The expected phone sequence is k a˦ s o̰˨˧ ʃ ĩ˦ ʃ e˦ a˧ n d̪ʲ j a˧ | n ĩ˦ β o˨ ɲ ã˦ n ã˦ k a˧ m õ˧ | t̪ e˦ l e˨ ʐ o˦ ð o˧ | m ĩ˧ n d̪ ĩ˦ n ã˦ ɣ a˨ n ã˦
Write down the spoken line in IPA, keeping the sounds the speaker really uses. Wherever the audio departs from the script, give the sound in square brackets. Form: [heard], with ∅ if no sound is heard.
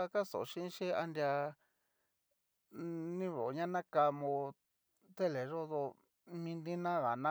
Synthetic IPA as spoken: k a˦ s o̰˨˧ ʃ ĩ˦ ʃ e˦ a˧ n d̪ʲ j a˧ | n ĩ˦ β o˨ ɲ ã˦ n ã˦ k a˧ m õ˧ | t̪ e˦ l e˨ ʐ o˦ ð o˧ | m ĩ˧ n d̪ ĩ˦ n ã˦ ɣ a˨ n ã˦

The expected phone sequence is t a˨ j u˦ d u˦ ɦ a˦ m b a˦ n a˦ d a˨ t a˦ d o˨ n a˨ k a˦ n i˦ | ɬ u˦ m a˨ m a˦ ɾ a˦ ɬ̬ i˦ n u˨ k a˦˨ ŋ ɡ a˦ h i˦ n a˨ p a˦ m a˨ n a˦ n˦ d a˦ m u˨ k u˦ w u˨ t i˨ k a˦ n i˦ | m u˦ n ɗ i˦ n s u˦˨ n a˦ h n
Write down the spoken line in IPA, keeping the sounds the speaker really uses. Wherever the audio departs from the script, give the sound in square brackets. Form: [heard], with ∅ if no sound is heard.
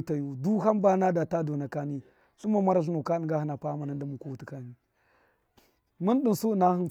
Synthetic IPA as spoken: t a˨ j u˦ d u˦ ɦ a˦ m b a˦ n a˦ d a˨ t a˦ d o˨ n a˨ k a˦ n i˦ | ɬ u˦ m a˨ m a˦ ɾ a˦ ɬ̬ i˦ n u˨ k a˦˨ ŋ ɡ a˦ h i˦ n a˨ p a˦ m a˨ n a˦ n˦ d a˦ m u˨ k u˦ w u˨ t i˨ k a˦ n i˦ | m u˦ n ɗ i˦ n s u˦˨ n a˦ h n

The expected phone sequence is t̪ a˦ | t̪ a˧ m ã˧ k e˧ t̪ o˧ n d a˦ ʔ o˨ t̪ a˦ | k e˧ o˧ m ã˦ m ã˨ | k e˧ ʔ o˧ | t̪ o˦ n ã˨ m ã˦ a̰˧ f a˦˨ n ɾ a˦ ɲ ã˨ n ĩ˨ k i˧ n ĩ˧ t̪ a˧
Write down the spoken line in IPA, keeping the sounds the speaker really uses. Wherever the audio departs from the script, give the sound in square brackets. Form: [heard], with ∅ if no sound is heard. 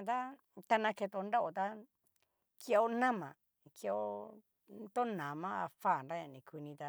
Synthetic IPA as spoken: t̪ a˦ | t̪ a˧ [n] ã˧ k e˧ t̪ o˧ n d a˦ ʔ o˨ t̪ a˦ | k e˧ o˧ [n] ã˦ m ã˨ | k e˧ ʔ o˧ | t̪ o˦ n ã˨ m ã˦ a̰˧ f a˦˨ n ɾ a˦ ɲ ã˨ n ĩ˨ k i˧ n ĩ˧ t̪ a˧

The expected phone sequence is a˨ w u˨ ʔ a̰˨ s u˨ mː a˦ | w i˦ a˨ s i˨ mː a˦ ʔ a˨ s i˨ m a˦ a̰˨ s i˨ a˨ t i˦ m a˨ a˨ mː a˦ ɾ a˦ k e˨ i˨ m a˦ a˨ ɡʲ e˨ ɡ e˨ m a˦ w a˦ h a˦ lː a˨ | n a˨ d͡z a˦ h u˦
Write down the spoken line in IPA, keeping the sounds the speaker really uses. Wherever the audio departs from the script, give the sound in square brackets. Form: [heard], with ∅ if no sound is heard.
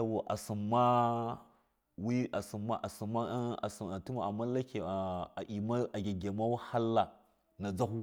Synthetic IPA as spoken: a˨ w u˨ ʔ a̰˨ s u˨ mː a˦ | w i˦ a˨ s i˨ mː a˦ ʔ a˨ s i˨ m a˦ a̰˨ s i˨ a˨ t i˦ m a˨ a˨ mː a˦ [l] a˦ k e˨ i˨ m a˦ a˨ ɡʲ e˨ ɡ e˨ m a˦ w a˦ h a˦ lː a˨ | n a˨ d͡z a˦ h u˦

